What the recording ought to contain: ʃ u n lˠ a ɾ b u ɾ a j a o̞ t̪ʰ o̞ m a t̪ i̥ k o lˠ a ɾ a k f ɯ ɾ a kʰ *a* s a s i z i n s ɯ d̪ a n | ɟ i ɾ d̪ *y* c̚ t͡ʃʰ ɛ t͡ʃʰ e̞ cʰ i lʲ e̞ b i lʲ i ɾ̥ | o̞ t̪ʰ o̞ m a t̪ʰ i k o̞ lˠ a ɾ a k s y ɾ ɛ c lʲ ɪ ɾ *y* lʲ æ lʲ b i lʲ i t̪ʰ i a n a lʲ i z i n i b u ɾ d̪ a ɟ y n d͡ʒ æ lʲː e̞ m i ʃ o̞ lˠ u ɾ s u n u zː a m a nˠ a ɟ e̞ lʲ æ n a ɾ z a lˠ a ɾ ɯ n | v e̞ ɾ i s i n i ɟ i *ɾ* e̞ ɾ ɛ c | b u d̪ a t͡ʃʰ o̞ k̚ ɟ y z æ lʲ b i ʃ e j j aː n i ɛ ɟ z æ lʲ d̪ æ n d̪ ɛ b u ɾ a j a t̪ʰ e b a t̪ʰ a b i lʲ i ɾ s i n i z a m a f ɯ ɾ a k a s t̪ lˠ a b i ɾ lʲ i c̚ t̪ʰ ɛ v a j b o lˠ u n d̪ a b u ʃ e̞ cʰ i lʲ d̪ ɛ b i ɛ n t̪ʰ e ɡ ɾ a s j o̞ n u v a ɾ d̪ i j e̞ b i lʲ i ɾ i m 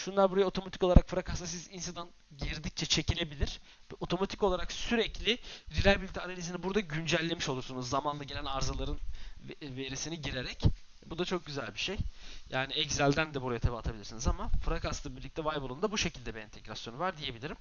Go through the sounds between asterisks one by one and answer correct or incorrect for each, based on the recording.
correct, incorrect, incorrect, correct

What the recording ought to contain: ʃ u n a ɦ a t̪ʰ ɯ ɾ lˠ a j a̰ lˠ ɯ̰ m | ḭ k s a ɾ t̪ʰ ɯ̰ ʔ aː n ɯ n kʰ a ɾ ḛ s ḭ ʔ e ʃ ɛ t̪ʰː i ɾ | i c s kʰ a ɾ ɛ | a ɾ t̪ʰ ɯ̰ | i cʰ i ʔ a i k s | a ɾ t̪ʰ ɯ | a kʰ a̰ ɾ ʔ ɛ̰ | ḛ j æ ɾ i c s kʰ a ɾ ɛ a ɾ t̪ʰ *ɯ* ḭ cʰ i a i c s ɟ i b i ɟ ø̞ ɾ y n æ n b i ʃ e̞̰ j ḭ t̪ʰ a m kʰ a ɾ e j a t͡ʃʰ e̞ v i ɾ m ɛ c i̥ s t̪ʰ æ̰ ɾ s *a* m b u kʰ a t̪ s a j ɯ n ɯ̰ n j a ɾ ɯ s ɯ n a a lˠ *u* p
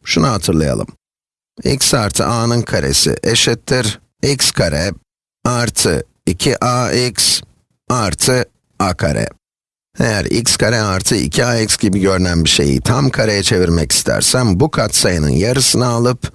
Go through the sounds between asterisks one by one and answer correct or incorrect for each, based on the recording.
correct, incorrect, incorrect

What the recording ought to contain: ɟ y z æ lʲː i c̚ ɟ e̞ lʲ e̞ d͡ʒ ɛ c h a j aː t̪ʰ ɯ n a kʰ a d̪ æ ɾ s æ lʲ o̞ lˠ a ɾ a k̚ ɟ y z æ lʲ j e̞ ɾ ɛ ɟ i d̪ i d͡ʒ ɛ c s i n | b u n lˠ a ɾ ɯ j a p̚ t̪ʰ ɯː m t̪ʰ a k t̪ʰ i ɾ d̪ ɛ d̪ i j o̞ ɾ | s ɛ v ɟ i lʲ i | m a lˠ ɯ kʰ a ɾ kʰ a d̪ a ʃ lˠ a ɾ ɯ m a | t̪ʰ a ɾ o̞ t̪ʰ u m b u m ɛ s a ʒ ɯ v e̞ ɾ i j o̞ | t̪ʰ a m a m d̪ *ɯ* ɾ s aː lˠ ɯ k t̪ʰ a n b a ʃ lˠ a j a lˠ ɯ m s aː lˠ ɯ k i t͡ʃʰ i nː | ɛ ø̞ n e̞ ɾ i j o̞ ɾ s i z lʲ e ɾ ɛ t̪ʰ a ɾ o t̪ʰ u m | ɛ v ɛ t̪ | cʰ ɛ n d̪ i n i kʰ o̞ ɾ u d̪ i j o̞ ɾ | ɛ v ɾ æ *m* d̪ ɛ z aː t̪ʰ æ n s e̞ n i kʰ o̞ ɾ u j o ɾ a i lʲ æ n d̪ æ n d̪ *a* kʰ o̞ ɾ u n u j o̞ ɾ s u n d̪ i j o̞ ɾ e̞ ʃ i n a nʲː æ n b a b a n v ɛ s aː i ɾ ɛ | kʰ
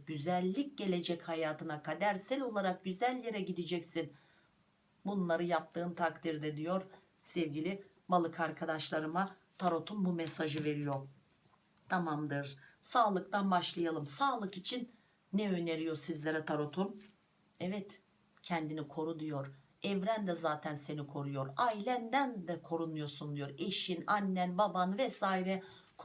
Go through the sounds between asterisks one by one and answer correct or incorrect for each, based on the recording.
correct, incorrect, incorrect

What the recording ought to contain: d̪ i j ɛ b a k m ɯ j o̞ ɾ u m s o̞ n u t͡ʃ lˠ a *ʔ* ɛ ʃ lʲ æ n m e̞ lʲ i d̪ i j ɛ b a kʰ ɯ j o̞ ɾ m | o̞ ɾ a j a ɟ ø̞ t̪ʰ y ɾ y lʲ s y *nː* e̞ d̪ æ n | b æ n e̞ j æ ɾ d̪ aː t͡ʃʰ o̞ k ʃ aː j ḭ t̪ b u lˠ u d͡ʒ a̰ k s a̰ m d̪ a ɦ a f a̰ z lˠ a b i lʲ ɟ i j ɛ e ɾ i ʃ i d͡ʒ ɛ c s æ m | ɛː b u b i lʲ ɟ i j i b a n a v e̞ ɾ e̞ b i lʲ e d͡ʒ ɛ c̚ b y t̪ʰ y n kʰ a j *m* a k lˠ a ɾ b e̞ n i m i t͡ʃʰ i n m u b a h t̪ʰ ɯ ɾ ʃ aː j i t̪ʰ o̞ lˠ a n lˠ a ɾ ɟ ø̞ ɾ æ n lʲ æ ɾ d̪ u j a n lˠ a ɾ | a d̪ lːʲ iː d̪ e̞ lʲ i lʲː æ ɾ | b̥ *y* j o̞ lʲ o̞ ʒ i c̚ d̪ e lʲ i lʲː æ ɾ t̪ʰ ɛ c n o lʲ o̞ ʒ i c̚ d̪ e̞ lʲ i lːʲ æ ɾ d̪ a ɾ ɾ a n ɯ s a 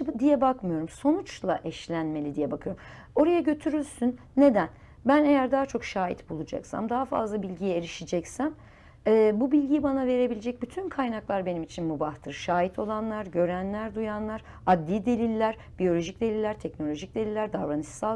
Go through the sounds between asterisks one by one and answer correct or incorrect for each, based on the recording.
correct, correct, incorrect, incorrect

